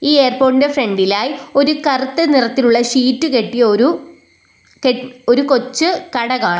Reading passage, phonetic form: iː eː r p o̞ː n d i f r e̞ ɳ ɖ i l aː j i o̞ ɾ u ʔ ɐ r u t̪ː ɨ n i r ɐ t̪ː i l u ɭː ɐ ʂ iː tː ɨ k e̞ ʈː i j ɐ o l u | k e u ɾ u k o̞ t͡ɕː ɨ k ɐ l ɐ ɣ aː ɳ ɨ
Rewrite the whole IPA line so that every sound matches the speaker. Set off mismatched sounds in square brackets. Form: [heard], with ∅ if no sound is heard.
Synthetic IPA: iː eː r p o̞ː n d [e] f r e̞ ɳ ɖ i l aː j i o̞ ɾ u [k] ɐ r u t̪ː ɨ n i r ɐ t̪ː i l u ɭː ɐ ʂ iː tː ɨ k e̞ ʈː i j ɐ o [ɾ] u | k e [o] ɾ u k o̞ t͡ɕː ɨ k ɐ [ɽ] ɐ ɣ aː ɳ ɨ